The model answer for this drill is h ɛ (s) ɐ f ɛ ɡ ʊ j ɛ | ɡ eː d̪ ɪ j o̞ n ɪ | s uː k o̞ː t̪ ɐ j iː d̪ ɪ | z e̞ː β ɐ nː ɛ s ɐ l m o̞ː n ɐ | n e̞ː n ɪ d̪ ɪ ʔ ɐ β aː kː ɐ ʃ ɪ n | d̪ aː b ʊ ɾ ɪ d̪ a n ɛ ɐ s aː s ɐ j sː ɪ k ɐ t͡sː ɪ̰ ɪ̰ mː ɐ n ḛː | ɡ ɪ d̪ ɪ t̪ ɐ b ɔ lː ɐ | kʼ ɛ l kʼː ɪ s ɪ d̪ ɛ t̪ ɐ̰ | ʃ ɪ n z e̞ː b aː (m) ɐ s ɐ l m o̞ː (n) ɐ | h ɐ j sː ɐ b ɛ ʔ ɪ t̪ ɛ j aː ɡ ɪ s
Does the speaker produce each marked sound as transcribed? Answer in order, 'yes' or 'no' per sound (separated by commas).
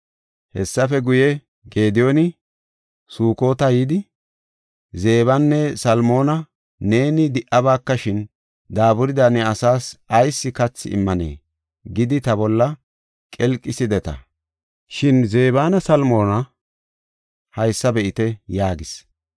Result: no, no, yes